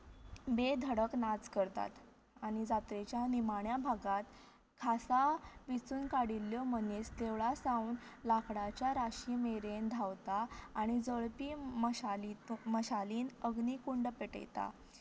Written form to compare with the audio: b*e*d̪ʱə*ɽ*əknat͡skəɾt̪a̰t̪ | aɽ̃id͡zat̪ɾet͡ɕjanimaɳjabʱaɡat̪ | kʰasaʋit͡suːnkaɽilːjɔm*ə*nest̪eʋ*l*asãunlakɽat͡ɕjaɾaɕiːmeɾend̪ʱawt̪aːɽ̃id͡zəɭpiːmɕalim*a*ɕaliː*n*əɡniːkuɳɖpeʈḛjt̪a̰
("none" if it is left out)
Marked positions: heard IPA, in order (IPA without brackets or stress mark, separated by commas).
e, ɽ, ə, ɭ, ə, n